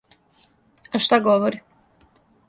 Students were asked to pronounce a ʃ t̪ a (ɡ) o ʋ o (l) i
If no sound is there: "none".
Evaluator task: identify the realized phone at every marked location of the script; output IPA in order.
ɡ, ɾ

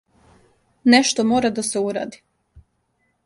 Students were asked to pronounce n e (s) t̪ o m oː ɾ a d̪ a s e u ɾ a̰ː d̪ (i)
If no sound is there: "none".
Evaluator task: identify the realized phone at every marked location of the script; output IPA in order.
ʃ, i

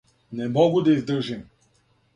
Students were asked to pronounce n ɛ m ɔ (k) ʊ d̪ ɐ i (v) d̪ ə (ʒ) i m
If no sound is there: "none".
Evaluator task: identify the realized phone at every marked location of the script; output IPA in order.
ɡ, z, ʒ

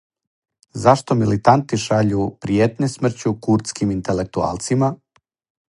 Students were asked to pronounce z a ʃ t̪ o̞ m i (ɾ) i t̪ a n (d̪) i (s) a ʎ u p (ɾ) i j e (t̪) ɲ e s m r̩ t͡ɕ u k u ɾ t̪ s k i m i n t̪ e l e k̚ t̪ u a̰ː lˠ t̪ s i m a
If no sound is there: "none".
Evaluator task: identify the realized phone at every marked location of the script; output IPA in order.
l, t̪, ʃ, ɾ, t̪

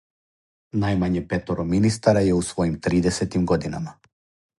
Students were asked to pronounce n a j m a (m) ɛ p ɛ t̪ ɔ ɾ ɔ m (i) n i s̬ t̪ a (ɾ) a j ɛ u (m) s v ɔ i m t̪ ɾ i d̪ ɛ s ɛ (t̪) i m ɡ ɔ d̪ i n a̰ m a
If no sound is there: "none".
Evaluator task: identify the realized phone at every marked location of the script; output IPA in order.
ɲ, i, ɾ, none, t̪

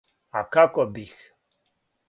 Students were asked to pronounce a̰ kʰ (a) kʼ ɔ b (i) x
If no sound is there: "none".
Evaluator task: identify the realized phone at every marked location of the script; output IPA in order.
a, i

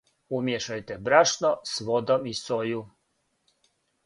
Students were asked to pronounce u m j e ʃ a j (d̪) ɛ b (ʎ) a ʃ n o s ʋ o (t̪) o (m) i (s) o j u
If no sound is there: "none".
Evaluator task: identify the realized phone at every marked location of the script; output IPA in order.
t̪, ɾ, d̪, m, s

